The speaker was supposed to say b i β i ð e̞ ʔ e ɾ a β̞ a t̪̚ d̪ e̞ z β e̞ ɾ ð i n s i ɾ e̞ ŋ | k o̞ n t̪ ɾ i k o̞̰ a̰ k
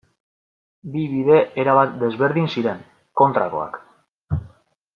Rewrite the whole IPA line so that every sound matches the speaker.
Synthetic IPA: b i β i ð e̞ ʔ e ɾ a β̞ a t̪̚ d̪ e̞ z β e̞ ɾ ð i n s i ɾ e̞ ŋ | k o̞ n t̪ ɾ a k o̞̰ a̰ k